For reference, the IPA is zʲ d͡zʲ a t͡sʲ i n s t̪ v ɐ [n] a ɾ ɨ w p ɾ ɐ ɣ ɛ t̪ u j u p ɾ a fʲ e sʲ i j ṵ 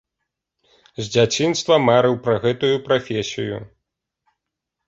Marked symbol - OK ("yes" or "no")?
no